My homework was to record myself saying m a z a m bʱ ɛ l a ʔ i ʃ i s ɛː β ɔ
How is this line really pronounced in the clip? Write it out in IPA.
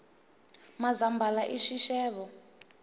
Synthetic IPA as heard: m a z a m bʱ a l a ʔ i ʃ i ʃ ɛː β ɔ